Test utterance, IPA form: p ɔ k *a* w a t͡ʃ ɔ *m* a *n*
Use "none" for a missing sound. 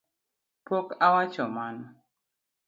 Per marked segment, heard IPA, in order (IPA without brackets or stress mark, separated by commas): a, m, n